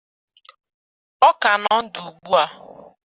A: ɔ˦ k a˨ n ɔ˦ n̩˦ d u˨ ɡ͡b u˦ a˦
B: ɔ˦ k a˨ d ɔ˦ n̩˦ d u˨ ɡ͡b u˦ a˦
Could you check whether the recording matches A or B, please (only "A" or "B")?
A